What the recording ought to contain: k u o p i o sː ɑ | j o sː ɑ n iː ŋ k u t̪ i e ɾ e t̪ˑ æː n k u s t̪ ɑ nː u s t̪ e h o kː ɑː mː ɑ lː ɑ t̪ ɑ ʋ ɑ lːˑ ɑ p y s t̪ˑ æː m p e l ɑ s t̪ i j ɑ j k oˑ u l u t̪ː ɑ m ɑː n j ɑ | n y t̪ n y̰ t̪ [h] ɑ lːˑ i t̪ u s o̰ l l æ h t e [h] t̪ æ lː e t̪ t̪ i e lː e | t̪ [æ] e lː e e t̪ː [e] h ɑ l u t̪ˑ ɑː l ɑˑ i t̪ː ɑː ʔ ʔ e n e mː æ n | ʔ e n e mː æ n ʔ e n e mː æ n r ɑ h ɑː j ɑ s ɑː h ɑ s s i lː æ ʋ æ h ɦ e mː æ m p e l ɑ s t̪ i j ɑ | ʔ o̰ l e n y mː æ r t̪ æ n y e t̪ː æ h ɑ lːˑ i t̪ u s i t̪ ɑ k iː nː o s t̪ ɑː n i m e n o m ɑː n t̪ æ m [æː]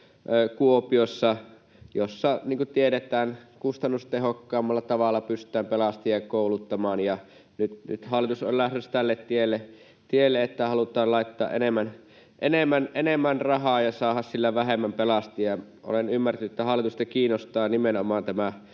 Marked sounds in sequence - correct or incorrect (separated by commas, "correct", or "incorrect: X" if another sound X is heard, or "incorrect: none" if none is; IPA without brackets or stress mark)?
correct, incorrect: s, incorrect: i, incorrect: æ, incorrect: æ